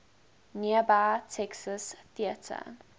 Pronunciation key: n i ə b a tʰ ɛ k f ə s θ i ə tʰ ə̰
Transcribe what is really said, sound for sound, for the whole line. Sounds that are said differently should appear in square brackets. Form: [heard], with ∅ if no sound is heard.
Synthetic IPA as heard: n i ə b a tʰ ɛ k [s] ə s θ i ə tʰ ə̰